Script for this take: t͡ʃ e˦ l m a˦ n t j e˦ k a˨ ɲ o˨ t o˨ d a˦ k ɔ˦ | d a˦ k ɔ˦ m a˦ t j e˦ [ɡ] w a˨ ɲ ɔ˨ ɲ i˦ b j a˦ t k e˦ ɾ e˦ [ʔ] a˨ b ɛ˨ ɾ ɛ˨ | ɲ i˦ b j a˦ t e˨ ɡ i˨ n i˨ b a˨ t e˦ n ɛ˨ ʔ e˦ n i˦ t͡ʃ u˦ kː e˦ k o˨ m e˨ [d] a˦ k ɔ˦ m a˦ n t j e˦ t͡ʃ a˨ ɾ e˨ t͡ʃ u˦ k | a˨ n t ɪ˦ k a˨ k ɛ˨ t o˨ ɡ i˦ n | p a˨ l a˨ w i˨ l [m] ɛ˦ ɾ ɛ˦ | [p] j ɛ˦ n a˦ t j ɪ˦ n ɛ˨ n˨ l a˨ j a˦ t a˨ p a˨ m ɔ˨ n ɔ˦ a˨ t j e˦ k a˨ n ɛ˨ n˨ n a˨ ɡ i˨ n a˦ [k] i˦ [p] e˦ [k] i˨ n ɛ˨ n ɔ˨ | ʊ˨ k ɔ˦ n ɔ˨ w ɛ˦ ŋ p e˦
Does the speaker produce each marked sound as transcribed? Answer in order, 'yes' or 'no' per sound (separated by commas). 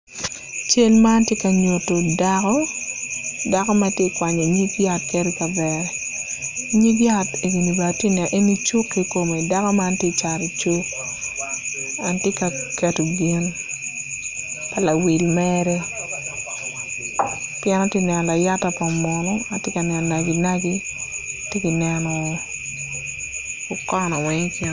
no, no, yes, yes, yes, no, no, yes